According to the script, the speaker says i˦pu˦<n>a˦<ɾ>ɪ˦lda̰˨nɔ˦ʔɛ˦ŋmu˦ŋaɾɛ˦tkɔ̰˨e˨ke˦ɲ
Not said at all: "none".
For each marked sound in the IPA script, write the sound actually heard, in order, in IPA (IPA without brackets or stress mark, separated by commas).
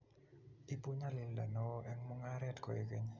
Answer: ɲ, l